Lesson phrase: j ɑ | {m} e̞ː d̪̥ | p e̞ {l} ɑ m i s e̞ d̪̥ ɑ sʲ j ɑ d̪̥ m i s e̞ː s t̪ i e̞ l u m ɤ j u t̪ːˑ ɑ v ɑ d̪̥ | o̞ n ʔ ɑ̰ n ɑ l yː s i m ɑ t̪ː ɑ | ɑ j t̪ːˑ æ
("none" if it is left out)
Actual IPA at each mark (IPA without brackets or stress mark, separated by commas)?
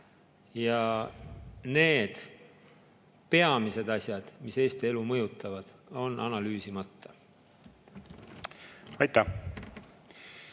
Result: n, none